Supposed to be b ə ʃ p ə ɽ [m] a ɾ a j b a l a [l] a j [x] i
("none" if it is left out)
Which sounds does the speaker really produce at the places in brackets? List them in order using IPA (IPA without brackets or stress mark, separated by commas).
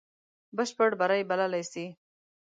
b, l, s